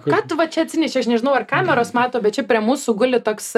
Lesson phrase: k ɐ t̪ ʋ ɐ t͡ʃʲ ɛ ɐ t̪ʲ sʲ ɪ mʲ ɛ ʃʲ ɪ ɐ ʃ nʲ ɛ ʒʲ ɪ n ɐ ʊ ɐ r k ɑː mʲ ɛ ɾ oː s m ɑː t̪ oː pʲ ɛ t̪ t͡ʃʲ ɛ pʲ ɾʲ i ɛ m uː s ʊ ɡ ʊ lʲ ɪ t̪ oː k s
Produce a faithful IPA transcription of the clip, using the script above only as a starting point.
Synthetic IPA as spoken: k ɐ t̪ ʋ ɐ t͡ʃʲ ɛ ɐ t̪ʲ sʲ ɪ nʲ ɛ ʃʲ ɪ ɐ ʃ nʲ ɛ ʒʲ ɪ n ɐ ʊ ɐ r k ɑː mʲ ɛ ɾ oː s m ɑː t̪ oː bʲ ɛ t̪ t͡ʃʲ ɛ pʲ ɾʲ i ɛ m uː s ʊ ɡ ʊ lʲ ɪ t̪ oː k s